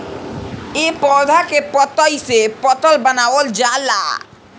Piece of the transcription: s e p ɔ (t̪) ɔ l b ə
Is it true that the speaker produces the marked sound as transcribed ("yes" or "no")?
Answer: yes